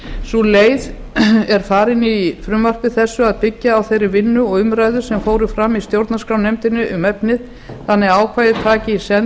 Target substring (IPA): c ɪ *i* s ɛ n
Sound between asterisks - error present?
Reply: no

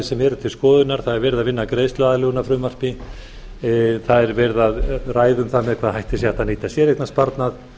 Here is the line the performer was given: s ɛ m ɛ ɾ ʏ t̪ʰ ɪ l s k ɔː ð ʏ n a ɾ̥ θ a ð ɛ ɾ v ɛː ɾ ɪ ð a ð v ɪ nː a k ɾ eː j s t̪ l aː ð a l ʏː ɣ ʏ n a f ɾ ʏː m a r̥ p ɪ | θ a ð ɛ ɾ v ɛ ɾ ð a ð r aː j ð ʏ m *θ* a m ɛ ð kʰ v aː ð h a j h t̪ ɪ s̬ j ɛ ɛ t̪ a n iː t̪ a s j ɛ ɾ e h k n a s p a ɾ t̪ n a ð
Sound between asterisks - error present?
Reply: no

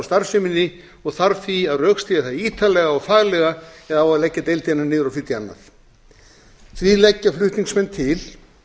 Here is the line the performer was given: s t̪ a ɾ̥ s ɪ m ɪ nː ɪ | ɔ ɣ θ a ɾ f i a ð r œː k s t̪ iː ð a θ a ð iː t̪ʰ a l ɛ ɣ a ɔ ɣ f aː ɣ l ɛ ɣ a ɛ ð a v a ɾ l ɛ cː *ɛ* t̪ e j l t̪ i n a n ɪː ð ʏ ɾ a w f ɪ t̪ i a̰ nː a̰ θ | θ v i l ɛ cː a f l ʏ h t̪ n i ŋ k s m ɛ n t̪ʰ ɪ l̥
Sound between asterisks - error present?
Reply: yes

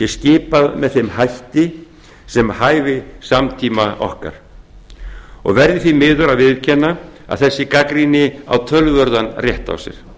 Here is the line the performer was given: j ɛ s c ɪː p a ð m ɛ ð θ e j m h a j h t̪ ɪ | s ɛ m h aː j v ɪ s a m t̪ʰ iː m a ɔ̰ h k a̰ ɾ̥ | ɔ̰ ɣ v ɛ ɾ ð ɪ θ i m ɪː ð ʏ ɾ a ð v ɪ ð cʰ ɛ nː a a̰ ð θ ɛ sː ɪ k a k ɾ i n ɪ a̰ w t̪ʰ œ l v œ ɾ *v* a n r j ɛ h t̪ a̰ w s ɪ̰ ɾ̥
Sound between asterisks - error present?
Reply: yes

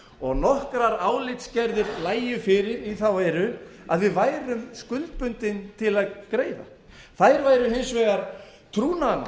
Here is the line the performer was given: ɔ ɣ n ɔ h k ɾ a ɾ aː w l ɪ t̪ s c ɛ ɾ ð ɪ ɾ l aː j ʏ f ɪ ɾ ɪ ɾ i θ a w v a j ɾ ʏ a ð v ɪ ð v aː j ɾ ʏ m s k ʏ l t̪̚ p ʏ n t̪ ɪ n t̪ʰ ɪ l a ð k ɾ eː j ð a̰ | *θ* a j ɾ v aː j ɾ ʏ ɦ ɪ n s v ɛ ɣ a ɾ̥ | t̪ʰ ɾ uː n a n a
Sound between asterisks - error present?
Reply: no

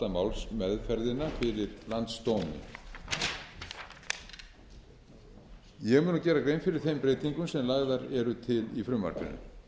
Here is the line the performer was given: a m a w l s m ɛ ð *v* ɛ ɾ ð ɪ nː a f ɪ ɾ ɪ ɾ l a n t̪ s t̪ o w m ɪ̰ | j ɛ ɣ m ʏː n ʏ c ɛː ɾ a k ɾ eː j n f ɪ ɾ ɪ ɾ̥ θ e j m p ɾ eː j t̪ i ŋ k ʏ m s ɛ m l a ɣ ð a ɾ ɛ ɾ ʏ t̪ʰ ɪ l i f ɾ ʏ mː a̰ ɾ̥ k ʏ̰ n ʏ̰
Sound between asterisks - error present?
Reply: yes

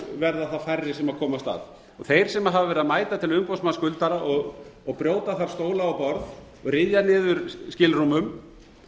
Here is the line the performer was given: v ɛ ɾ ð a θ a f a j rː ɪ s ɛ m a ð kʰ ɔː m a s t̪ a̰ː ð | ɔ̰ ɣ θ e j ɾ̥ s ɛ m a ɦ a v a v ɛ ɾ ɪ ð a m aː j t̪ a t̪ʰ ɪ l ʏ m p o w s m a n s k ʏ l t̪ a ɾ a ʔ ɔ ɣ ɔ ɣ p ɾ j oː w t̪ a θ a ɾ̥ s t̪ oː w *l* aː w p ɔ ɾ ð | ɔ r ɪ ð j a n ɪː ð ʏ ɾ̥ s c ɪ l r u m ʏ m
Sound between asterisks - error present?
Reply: no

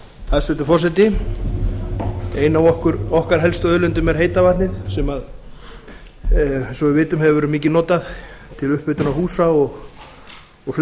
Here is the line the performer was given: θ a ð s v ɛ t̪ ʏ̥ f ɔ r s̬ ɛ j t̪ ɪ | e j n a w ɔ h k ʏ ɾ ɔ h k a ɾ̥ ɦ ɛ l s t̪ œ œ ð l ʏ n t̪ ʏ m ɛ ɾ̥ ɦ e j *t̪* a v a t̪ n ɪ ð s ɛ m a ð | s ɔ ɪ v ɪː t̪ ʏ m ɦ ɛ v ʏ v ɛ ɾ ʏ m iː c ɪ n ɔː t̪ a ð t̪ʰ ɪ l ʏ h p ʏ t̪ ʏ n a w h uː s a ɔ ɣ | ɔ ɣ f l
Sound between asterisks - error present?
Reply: no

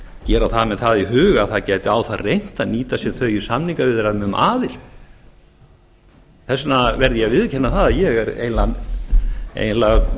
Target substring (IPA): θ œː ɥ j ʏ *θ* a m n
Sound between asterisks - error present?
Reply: yes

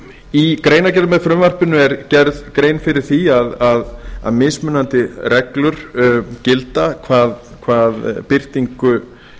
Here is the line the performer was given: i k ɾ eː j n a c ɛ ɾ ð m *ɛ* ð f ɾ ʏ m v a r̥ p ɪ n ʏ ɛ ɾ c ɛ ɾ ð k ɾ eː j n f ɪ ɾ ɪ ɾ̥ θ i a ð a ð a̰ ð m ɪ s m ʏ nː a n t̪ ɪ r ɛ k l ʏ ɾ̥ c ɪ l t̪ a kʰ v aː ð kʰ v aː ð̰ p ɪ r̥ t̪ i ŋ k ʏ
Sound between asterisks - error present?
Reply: no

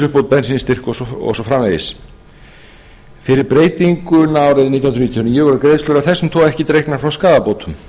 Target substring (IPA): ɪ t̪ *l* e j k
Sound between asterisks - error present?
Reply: yes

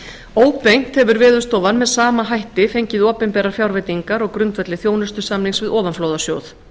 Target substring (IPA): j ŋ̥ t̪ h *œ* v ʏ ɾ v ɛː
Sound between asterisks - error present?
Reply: yes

